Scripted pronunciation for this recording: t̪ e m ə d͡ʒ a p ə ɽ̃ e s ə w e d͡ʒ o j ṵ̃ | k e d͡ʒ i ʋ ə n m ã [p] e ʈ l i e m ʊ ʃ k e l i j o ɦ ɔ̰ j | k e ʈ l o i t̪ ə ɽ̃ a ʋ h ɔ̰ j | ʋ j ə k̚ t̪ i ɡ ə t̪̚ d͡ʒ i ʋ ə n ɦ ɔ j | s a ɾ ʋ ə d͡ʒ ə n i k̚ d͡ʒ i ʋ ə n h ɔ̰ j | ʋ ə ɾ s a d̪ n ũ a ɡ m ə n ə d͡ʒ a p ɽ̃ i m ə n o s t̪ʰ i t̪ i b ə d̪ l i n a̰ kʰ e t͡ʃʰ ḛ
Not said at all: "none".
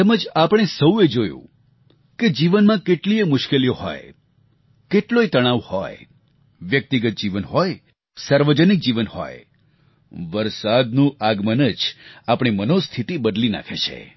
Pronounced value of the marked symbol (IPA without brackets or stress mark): k